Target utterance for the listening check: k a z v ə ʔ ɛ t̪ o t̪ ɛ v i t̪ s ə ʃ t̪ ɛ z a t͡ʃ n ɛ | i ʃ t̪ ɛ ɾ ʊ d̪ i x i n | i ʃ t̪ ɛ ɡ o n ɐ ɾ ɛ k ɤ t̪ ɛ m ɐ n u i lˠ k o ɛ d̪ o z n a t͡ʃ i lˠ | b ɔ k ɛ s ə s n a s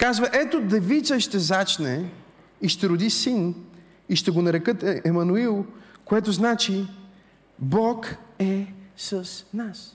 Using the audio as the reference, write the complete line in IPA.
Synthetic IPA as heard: k a z v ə ʔ ɛ t̪ o d̪ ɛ v i t̪ s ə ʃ t̪ ɛ z a t͡ʃ n ɛ | i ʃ t̪ ɛ ɾ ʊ d̪ i s i n | i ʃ t̪ ɛ ɡ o n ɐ ɾ ɛ k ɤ t̪ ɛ m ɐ n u i lˠ k o ɛ t̪ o z n a t͡ʃ i | b ɔ k ɛ s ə s n a s